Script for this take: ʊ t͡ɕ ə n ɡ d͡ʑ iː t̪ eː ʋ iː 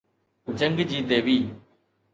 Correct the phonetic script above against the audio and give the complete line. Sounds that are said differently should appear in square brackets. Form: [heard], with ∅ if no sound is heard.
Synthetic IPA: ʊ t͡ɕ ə [ŋ] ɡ d͡ʑ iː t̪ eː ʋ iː